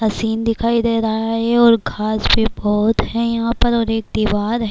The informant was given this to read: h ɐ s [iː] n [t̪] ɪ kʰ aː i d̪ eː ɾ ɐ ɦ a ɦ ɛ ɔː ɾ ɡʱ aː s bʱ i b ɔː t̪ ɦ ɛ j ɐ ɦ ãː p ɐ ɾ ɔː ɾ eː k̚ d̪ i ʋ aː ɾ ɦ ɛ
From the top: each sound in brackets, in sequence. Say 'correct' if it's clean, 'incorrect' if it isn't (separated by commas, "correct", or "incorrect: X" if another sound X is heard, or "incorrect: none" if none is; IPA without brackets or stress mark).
correct, incorrect: d̪